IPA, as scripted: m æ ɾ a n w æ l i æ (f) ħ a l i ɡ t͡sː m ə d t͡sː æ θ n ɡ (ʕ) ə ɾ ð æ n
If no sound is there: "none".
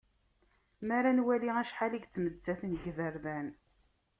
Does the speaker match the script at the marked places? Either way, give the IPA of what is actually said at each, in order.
ʃ, v

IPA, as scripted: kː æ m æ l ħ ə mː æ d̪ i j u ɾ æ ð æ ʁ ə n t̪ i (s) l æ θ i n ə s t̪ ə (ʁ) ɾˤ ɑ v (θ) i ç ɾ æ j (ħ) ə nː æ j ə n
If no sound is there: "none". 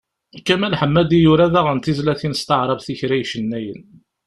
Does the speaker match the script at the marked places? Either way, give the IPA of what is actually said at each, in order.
z, ʕ, θ, ʃ

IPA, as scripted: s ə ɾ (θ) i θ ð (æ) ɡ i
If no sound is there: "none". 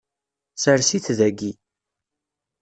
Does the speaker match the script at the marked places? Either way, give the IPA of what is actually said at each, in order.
s, æ

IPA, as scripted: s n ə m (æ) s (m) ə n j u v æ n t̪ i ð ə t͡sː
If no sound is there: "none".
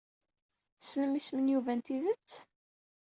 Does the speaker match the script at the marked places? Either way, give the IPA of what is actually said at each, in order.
i, m

